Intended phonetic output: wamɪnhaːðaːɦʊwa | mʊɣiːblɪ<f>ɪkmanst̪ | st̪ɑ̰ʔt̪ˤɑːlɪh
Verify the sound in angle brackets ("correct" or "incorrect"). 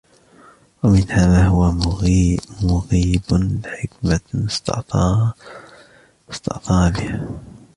incorrect